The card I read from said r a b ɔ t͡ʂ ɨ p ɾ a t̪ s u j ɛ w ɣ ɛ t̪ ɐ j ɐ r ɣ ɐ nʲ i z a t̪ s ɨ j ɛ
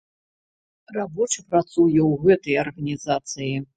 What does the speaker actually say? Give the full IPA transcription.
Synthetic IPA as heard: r a b ɔ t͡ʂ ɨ p ɾ a t̪ s u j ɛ w ɣ ɛ t̪ ɐ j ɐ r ɣ ɐ nʲ i z a t̪ s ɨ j i